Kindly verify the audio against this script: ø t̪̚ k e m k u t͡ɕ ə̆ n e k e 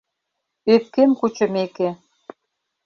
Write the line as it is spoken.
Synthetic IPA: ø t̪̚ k e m k u t͡ɕ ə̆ m e k e